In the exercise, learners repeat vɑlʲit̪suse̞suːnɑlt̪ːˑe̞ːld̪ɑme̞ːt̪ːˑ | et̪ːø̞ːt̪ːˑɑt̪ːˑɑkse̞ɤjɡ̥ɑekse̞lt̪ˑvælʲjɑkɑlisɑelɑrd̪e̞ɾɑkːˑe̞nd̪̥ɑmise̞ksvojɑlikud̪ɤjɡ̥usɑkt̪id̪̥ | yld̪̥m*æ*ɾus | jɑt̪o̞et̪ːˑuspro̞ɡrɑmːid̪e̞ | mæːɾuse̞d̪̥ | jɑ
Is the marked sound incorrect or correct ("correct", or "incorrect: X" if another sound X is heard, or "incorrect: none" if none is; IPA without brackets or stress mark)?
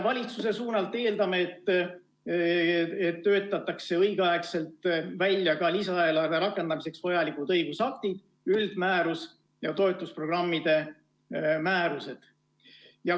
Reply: incorrect: æː